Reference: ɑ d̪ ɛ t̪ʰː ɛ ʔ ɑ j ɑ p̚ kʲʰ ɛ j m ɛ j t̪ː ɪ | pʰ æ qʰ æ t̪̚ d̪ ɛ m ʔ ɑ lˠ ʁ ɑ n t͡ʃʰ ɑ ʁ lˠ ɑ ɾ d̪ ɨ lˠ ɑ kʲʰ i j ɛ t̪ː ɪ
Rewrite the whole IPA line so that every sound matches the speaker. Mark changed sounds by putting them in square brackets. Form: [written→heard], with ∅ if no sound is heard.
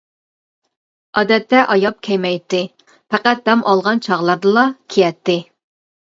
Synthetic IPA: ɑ d̪ ɛ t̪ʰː ɛ ʔ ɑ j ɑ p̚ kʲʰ ɛ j m ɛ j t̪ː ɪ | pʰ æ [qʰ→q] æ t̪̚ d̪ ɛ m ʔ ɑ lˠ ʁ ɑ n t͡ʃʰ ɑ ʁ lˠ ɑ ɾ d̪ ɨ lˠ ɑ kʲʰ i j ɛ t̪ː ɪ